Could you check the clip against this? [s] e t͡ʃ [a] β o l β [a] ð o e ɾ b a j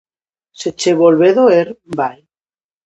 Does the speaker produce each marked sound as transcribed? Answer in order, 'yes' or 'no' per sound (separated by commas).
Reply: yes, no, no